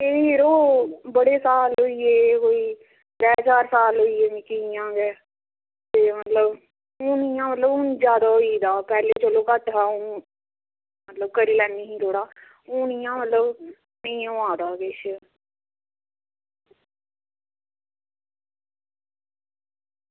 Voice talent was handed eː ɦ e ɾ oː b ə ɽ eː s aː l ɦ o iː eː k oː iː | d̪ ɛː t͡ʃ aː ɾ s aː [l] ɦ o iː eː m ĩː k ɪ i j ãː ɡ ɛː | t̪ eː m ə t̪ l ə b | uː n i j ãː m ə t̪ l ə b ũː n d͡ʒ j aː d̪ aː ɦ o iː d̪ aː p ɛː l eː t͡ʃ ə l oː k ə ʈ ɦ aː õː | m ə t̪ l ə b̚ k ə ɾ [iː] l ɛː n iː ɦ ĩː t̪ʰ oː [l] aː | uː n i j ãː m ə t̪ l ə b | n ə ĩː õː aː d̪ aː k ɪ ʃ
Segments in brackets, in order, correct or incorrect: correct, correct, incorrect: ɽ

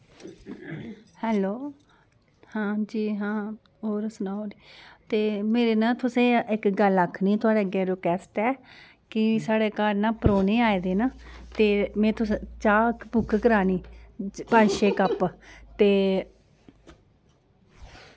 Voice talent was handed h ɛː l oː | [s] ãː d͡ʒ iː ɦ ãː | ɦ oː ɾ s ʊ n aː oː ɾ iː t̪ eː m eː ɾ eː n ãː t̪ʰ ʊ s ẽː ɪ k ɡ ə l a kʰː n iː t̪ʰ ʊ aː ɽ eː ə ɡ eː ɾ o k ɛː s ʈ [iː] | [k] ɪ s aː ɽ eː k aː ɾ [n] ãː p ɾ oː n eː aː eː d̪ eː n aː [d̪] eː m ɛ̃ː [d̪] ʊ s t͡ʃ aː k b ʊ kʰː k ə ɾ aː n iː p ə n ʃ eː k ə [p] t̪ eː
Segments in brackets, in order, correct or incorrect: incorrect: h, incorrect: ɛː, correct, correct, incorrect: t̪, incorrect: t̪, correct

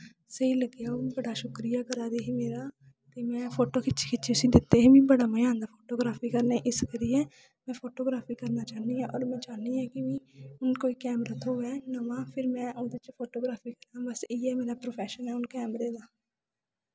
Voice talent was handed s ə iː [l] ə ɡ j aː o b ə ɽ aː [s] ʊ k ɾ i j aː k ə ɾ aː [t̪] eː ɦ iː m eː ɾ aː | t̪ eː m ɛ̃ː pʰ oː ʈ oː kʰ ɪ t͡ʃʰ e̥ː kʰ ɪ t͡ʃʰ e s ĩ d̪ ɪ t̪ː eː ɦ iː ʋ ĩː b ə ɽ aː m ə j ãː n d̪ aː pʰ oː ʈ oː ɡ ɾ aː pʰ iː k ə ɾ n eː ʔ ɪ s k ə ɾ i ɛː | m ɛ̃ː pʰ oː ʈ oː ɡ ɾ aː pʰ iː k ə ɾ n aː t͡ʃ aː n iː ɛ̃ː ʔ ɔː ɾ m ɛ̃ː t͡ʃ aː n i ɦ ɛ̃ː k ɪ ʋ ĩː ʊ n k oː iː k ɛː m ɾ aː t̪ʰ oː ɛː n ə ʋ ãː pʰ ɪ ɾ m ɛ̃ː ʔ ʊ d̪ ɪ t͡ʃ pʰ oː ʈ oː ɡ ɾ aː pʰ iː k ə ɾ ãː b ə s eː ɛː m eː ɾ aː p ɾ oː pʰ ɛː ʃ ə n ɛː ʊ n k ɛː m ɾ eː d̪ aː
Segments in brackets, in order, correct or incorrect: correct, incorrect: ʃ, incorrect: d̪

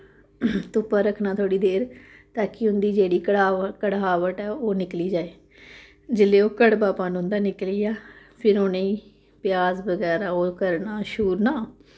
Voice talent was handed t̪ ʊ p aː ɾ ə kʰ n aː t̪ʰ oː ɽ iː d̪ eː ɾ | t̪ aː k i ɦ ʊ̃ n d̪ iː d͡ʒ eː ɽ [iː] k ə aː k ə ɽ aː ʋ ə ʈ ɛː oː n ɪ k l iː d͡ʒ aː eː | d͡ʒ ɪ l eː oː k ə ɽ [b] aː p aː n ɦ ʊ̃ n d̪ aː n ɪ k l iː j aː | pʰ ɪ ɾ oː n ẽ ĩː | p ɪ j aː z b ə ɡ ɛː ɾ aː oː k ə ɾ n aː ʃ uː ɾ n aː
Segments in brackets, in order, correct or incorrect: correct, correct

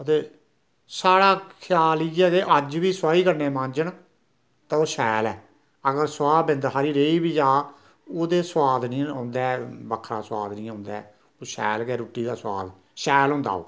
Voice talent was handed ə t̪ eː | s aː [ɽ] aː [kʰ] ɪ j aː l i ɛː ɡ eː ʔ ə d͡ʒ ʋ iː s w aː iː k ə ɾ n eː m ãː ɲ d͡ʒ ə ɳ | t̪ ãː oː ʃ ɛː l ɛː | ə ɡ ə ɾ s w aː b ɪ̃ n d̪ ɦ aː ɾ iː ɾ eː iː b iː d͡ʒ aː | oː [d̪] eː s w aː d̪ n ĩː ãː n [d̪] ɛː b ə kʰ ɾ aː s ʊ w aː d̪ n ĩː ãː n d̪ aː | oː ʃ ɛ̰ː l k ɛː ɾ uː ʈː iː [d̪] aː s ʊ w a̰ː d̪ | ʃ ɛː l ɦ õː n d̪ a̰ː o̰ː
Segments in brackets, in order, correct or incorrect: correct, correct, correct, correct, correct

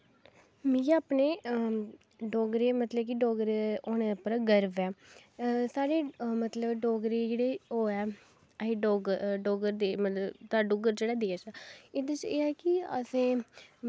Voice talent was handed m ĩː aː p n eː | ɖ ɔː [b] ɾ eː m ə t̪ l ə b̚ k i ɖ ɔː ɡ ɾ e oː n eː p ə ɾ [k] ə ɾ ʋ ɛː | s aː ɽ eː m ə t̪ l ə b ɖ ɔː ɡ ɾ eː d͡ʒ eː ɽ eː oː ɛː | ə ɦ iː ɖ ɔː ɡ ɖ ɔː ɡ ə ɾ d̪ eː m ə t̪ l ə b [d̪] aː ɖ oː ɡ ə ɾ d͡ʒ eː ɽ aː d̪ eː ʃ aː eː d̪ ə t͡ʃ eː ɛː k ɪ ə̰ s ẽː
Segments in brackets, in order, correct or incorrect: incorrect: ɡ, incorrect: ɡ, incorrect: t̪

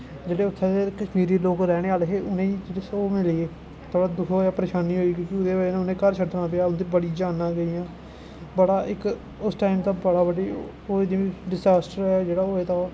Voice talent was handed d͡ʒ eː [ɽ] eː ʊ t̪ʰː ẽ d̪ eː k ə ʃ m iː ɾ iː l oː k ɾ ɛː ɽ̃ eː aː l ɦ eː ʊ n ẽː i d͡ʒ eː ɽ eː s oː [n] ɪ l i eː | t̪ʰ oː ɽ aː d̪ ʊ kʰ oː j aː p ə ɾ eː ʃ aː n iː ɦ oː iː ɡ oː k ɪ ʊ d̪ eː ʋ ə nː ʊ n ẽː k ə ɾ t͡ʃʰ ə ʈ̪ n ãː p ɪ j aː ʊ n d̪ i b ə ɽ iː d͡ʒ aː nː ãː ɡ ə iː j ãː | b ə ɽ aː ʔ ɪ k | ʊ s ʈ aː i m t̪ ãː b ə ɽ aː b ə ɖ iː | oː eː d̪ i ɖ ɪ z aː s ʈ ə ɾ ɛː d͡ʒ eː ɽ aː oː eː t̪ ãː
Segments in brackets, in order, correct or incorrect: correct, incorrect: m

